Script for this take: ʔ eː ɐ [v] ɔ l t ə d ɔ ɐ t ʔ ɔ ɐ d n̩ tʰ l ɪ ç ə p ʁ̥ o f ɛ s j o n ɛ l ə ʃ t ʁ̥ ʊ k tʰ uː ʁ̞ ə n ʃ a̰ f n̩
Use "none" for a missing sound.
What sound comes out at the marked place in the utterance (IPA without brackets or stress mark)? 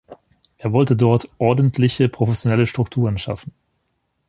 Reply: v